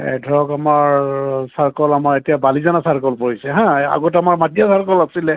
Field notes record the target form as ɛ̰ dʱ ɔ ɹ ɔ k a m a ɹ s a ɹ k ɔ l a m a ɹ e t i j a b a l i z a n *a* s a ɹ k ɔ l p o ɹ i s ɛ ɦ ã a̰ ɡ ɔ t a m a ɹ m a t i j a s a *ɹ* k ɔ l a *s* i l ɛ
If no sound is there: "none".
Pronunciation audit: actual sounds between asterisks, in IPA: a, ɹ, s

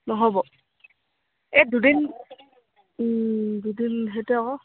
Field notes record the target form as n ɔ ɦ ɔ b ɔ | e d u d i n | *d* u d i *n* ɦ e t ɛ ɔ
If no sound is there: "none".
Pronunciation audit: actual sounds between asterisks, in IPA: d, n

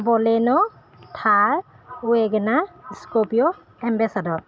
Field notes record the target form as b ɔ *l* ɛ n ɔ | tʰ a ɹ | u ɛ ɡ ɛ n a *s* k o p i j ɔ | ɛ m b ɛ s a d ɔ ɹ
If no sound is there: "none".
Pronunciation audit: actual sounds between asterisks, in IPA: l, s

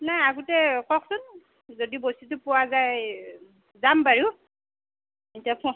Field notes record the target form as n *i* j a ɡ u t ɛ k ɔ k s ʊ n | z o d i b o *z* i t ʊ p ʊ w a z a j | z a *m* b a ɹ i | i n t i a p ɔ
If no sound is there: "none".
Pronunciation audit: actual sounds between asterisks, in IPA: a, s, m

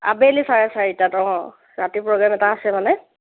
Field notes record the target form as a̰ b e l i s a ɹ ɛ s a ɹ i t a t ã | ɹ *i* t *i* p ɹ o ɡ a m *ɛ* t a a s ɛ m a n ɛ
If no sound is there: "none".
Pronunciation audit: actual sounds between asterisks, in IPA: a, i, ɛ

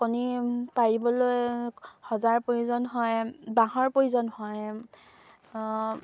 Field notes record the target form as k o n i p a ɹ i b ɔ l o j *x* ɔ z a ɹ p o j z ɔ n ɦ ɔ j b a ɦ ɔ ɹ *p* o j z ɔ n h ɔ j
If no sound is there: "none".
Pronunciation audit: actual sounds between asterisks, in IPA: h, p

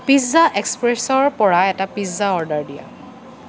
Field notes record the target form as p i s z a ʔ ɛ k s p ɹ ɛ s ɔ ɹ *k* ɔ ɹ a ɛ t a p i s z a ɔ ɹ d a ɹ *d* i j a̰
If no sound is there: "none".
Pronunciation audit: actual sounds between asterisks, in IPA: p, d

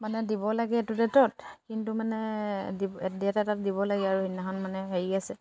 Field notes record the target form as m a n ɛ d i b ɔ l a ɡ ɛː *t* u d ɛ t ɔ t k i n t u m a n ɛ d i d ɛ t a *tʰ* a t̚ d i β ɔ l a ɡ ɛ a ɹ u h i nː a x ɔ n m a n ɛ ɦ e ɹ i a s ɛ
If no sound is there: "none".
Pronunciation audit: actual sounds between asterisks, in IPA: t, t

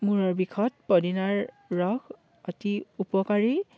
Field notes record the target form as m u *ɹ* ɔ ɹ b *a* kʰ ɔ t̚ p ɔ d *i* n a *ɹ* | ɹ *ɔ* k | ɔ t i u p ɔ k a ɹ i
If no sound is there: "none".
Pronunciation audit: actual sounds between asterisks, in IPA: ɹ, i, i, ɹ, ɔ

